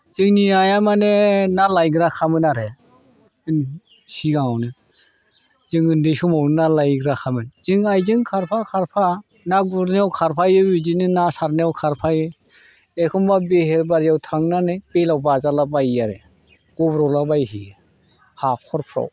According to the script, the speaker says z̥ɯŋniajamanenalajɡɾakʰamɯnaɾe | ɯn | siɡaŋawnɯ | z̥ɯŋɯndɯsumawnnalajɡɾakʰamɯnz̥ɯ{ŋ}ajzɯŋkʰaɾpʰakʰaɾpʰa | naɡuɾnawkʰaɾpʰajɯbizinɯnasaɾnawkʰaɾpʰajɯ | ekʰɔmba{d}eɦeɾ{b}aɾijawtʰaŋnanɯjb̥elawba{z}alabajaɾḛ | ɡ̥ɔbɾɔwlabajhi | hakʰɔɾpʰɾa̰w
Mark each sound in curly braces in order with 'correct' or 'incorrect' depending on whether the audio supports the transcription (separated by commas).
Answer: correct, incorrect, correct, correct